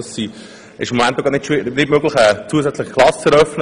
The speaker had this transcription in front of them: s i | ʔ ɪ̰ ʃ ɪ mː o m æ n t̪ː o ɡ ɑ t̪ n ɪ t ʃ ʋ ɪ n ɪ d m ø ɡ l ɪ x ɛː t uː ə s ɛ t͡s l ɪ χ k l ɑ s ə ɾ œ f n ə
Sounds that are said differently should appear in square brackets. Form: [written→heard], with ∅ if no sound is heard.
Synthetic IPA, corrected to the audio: s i | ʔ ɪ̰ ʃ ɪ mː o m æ n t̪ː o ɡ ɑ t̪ n ɪ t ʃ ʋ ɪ n ɪ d m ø ɡ l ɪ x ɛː [t→t͡s] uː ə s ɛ t͡s l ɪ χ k l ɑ s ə ɾ œ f n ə